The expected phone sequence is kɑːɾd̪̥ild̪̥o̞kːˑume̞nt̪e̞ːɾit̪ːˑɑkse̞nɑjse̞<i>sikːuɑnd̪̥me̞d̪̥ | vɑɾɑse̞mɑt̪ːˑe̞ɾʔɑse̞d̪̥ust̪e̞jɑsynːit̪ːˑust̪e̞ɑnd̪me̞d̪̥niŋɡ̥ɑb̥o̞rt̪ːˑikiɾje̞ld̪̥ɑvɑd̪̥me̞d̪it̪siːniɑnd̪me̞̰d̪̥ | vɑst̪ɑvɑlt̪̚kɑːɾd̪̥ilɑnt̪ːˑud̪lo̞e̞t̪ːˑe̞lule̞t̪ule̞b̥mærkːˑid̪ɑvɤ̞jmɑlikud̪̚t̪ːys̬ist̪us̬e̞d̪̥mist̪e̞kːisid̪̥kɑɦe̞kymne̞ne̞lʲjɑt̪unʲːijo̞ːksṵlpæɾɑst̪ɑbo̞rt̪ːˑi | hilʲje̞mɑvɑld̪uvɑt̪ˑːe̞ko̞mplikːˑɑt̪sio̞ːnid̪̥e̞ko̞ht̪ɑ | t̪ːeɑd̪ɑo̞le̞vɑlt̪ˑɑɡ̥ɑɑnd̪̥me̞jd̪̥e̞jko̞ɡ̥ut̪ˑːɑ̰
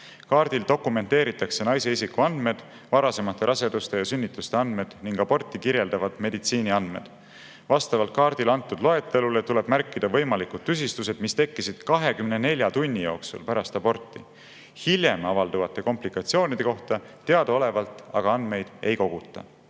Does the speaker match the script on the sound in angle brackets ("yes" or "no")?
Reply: yes